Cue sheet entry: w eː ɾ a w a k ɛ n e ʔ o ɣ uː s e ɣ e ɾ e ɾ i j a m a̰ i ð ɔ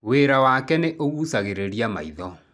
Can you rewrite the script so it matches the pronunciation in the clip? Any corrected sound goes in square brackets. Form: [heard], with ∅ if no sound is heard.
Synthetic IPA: w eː ɾ a w a k ɛ n e ʔ o ɣ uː s [a] ɣ e ɾ e ɾ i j a m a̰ i ð ɔ